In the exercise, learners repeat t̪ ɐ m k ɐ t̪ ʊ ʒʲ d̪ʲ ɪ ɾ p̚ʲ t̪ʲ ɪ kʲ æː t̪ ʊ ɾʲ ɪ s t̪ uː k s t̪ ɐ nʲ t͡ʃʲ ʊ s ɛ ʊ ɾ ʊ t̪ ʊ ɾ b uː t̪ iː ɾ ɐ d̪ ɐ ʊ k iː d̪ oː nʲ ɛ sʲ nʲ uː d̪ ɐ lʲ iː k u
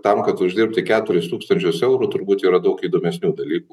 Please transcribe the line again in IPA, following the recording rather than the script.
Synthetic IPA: t̪ ɐ m k ɐ t̪ ʊ ʒʲ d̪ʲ ɪ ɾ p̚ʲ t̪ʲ ɪ kʲ æː t̪ ʊ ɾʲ ɪ s t̪ uː k s t̪ ɐ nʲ t͡ʃʲ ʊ s ɛ ʊ ɾ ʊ t̪ ʊ ɾ b uː t̪ iː ɾ ɐ d̪ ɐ ʊ k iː d̪ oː mʲ ɛ sʲ nʲ uː d̪ ɐ lʲ iː k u